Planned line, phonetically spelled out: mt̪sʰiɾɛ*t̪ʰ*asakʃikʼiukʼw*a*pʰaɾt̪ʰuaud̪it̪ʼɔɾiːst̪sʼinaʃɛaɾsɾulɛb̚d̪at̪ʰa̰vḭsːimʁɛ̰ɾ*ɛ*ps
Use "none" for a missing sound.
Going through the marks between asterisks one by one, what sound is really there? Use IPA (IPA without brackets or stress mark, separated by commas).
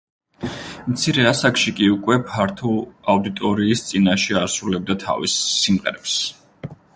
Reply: none, ɛ, ɛ